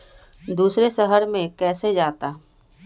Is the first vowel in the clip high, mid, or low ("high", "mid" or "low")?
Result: high